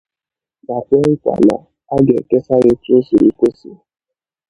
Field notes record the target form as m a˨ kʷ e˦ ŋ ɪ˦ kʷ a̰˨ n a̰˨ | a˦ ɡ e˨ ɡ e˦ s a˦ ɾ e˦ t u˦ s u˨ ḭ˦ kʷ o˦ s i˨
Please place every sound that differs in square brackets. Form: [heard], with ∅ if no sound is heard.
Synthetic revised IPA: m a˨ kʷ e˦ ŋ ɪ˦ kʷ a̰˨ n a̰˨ | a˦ ɡ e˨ [k] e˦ s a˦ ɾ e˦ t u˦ s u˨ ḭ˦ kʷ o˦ s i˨